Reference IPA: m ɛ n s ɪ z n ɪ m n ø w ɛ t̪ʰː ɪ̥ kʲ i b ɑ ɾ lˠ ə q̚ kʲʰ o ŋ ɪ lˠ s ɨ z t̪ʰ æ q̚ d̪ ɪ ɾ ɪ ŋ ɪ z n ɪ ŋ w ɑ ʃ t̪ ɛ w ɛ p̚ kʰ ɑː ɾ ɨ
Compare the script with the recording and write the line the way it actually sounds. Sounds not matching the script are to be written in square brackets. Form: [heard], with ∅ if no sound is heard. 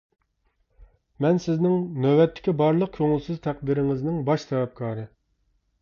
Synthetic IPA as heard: m ɛ n s ɪ z n ɪ [ŋ] n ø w ɛ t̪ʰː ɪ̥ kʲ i b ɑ ɾ lˠ ə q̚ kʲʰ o ŋ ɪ lˠ s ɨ z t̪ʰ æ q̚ d̪ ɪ ɾ ɪ ŋ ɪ z n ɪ ŋ [b] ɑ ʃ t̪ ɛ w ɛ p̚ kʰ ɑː ɾ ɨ